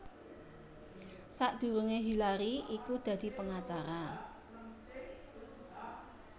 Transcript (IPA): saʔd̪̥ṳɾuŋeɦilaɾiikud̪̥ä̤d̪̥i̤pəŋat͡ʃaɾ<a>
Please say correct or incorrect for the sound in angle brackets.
correct